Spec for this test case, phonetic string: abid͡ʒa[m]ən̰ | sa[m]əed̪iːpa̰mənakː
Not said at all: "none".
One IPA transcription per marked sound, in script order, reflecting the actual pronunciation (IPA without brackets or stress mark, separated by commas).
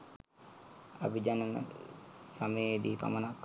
n, m